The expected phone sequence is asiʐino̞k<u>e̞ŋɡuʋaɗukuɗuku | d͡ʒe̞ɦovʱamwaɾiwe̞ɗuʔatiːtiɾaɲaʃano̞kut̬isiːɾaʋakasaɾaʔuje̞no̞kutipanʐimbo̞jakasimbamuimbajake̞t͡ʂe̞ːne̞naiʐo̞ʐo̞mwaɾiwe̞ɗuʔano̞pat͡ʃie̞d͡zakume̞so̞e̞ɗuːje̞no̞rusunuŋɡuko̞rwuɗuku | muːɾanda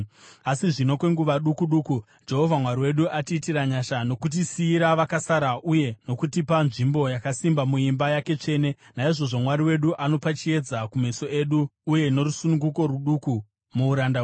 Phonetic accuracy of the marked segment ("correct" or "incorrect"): incorrect